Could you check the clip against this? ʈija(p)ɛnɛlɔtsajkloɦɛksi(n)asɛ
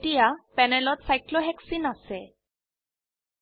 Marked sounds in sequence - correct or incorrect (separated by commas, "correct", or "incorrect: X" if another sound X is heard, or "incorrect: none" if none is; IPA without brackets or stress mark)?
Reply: correct, correct